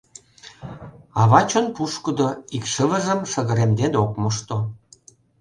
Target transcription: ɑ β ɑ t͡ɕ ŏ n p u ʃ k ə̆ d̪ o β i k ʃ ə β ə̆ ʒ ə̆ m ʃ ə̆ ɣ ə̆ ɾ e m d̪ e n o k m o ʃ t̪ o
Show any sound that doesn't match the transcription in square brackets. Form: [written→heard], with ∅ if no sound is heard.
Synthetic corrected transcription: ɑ β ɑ t͡ɕ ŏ n p u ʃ k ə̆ d̪ o [β→∅] i k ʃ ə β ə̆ ʒ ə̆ m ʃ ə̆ ɣ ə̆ ɾ e m d̪ e n o k m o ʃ t̪ o

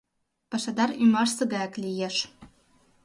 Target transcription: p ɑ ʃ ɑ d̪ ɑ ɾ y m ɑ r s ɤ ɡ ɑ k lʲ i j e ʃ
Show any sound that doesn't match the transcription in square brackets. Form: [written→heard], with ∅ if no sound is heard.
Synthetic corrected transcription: p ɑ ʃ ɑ d̪ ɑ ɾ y m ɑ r s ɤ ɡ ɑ k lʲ i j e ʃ

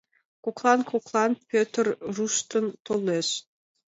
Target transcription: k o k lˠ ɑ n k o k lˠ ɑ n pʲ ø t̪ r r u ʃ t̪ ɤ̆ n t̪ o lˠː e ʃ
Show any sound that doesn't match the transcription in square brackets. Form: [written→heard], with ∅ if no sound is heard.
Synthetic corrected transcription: k o k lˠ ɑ n k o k lˠ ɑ n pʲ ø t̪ r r u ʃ t̪ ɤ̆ n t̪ o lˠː e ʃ

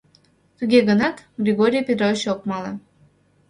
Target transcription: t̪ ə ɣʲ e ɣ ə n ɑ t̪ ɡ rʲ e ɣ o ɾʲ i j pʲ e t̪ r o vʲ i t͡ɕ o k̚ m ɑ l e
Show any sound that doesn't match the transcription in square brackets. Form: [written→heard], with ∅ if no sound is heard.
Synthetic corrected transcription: t̪ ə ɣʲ e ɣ ə n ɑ t̪ ɡ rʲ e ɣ o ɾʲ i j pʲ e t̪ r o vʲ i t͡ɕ o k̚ m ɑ l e

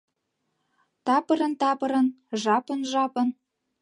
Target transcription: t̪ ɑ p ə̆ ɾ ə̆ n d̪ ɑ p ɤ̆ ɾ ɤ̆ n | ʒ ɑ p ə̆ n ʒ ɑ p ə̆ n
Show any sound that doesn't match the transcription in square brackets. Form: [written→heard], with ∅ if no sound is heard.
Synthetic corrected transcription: t̪ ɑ p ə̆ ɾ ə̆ n [d̪→t̪] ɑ p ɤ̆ ɾ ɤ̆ n | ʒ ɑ p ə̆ n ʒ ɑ p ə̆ n

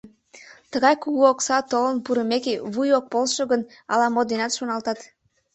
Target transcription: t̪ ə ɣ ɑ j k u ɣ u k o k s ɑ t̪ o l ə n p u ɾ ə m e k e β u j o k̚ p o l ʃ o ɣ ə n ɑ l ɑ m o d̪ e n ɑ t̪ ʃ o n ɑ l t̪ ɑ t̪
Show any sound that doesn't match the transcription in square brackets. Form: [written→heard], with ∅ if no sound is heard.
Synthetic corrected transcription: t̪ ə ɣ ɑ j k u ɣ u [k→∅] o k s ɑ t̪ o l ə n p u ɾ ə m e k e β u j o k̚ p o l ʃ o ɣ ə n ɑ l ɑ m o d̪ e n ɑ t̪ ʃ o n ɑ l t̪ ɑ t̪

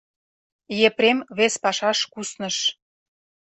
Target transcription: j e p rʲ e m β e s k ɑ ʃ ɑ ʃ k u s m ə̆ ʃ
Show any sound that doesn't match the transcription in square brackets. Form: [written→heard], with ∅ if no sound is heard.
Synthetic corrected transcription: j e p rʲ e m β e s [k→p] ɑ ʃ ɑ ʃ k u s [m→n] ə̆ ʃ

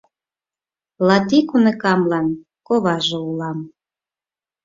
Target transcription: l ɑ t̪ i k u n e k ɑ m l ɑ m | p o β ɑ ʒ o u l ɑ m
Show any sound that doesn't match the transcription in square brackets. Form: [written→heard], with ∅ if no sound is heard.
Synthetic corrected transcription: l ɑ t̪ i k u n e k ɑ m l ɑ [m→n] | [p→k] o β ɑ ʒ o u l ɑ m

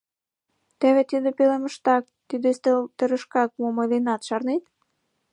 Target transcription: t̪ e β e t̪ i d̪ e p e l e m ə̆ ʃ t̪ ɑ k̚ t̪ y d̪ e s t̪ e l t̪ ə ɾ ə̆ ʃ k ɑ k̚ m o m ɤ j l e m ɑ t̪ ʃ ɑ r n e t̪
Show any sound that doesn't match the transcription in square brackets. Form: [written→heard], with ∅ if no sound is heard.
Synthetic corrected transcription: t̪ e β e t̪ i d̪ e p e l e m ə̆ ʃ t̪ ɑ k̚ t̪ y d̪ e s t̪ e l t̪ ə ɾ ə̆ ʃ k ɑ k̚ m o m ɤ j l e [m→n] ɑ t̪ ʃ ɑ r n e t̪

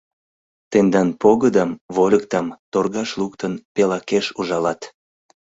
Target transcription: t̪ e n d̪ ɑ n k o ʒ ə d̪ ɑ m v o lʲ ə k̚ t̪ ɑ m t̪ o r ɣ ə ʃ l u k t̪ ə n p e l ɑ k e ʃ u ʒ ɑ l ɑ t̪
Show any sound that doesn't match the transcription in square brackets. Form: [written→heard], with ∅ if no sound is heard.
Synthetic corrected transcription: t̪ e n d̪ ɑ n [k→p] o [ʒ→ɣ] ə d̪ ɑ m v o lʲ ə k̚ t̪ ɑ m t̪ o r ɣ [ə→ɑ] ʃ l u k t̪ ə n p e l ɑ k e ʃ u ʒ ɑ l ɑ t̪

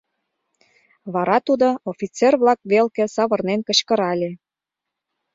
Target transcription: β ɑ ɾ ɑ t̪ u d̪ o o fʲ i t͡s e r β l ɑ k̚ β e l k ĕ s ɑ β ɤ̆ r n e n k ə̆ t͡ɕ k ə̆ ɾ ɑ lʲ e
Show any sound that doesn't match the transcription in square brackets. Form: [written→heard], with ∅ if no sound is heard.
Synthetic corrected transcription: β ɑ ɾ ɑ t̪ u d̪ o o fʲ i t͡s e r β l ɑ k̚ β e l k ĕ s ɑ β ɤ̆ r n e n k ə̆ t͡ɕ k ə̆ ɾ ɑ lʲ e

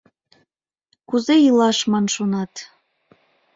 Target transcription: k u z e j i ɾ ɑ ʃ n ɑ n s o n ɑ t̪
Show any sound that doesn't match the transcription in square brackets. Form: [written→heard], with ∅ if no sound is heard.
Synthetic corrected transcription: k u z e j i [ɾ→l] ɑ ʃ [n→m] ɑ n [s→ʃ] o n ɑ t̪

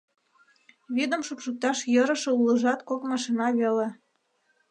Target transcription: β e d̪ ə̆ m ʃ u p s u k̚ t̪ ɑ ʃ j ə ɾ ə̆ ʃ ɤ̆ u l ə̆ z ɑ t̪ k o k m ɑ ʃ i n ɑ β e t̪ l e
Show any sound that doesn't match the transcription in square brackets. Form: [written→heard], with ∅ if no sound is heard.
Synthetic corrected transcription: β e d̪ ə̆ m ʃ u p [s→ʃ] u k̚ t̪ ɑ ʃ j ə ɾ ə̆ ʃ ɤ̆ u l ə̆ [z→ʒ] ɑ t̪ k o k m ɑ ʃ i n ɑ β e [t̪→∅] l e

